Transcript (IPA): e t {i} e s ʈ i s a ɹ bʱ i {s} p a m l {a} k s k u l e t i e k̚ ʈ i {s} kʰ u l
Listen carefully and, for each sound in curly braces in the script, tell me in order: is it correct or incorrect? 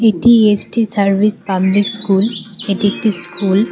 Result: correct, correct, incorrect, correct

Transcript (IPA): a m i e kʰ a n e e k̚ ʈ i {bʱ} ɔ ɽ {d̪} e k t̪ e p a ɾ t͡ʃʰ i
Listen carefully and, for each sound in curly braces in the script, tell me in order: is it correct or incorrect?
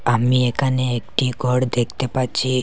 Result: incorrect, correct

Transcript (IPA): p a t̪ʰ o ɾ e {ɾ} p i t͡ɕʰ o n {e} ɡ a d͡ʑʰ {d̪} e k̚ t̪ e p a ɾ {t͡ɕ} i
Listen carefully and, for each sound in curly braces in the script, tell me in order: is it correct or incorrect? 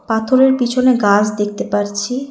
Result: correct, correct, correct, incorrect

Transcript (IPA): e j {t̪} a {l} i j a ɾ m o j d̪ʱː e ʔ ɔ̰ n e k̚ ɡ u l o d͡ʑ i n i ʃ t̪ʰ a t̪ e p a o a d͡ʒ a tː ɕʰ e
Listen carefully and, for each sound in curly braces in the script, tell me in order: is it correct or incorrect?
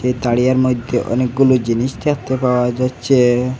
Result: correct, incorrect

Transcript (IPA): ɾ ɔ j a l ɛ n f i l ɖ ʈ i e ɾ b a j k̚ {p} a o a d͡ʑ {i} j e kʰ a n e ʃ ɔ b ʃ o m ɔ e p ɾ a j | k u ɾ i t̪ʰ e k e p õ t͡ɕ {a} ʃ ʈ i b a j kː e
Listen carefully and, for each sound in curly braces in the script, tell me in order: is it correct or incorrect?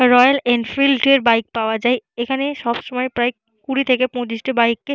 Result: correct, incorrect, incorrect

